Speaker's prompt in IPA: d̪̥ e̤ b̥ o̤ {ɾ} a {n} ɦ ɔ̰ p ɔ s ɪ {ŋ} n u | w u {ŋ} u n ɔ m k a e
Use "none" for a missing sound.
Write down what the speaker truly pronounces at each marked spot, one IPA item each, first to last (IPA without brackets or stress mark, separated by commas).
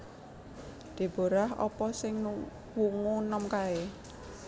ɾ, none, ŋ, ŋ